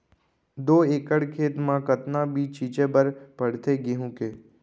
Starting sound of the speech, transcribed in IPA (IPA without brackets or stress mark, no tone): d̪